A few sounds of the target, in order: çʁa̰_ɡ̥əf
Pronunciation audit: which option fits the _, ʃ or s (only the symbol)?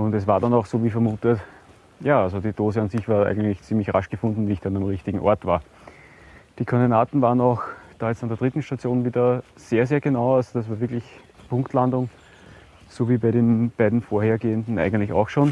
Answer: ʃ